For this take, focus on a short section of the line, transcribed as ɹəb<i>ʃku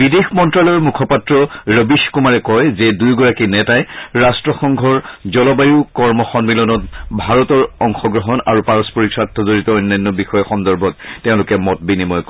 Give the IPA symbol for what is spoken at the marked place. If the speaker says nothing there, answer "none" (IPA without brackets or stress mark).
i